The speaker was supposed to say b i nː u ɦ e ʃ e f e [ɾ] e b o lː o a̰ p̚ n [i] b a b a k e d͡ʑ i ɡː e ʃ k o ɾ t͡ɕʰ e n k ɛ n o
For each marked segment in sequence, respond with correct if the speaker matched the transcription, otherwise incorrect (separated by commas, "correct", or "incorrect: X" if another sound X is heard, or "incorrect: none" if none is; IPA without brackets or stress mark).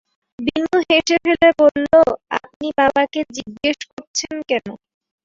incorrect: l, correct